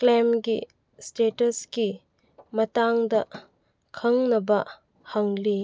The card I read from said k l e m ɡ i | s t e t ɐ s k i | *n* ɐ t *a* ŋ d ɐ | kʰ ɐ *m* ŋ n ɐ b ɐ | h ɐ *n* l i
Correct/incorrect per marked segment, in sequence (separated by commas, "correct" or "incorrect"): incorrect, correct, incorrect, incorrect